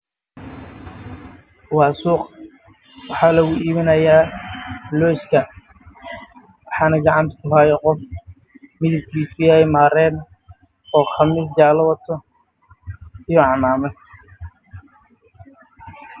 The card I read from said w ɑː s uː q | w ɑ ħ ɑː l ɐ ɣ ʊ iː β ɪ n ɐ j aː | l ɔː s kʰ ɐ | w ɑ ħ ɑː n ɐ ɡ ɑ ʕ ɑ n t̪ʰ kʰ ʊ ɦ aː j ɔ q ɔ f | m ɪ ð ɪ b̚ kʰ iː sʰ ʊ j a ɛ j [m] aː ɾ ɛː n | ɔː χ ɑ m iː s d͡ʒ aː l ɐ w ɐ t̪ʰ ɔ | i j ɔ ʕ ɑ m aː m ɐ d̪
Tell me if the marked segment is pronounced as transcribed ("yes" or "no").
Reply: yes